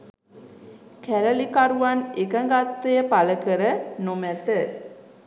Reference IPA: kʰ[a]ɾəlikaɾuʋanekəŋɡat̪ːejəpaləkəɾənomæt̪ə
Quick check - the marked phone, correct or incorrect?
incorrect